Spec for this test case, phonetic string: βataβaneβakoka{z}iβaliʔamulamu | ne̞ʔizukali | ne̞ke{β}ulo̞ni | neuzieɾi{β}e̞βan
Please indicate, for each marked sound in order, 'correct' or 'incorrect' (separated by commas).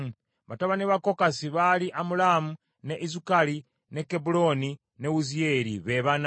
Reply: incorrect, incorrect, correct